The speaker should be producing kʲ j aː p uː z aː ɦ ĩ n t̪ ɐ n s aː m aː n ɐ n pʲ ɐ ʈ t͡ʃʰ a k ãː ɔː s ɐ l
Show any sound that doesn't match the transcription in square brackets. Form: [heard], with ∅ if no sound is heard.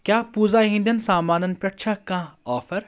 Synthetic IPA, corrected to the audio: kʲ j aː p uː z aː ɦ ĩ n [d̪] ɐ n s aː m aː n ɐ n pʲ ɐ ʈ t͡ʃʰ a k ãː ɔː [f] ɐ [ɾ]